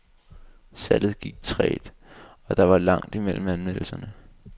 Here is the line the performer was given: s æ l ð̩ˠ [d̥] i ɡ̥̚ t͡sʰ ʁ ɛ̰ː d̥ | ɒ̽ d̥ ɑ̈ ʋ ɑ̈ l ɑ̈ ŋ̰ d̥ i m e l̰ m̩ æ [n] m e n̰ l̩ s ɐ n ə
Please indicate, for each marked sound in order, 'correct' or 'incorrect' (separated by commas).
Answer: incorrect, correct